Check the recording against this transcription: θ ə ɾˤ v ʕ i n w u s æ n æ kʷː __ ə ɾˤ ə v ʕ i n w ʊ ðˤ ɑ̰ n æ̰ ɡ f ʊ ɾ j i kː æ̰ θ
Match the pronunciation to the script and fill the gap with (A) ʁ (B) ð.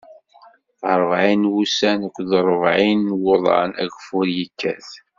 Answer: B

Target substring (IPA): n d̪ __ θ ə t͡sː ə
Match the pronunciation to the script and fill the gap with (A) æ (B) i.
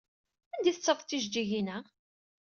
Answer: B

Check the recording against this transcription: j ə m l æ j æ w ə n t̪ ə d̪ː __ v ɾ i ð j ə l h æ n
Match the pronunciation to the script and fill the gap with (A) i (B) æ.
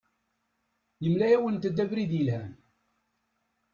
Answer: B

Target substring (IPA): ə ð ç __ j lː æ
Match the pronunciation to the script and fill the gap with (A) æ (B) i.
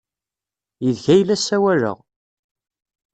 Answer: A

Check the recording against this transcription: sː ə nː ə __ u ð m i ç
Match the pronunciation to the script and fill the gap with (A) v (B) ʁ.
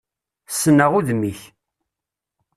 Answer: B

